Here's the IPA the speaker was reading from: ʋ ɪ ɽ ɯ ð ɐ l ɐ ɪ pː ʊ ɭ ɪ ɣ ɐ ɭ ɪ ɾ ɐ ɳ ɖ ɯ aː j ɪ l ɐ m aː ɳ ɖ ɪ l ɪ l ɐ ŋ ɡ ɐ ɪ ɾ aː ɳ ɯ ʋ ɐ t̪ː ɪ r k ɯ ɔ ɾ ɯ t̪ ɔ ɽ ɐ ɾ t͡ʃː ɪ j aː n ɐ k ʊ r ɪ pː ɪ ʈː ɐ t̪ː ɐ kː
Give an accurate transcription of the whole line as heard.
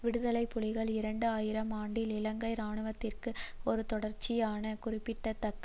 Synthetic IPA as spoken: ʋ ɪ ɽ ɯ ð ɐ l ɐ ɪ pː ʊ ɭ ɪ ɣ ɐ ɭ ɪ ɾ ɐ ɳ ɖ ɯ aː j ɪ ɾ ɐ m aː ɳ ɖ ɪ l ɪ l ɐ ŋ ɡ ɐ ɪ ɾ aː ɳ ɯ ʋ ɐ t̪ː ɪ r k ɯ ɔ ɾ ɯ t̪ ɔ ɽ ɐ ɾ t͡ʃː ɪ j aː n ɐ k ʊ r ɪ pː ɪ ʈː ɐ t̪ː ɐ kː